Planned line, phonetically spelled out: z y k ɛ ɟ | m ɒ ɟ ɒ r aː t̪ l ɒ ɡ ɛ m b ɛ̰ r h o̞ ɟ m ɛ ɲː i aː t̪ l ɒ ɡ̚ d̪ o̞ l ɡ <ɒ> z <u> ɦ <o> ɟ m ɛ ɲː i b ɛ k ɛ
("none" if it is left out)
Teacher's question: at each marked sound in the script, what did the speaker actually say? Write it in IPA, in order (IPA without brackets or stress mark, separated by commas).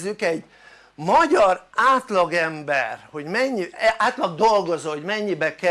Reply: o, o, o